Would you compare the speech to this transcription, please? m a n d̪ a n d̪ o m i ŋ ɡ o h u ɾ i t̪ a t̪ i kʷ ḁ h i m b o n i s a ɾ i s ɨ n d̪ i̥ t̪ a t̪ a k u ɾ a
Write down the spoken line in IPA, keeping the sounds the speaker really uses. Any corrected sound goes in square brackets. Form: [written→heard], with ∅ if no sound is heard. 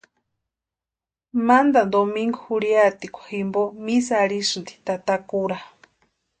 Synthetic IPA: m a n d̪ a n d̪ o m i ŋ ɡ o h u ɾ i [t̪→∅] a t̪ i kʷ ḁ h i m b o [n→m] i s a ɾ i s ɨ n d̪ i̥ t̪ a t̪ a k u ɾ a